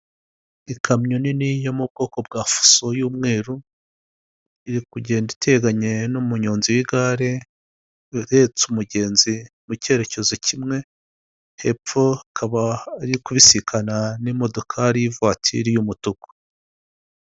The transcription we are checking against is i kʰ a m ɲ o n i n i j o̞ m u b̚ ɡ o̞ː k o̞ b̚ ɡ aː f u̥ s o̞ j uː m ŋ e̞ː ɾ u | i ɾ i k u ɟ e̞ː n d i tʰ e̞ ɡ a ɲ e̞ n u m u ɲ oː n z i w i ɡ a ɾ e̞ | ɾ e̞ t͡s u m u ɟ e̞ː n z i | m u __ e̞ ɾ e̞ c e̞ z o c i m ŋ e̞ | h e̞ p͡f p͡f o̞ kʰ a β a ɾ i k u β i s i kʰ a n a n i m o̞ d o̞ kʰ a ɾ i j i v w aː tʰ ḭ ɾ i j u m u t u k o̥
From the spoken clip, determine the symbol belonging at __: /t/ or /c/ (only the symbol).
c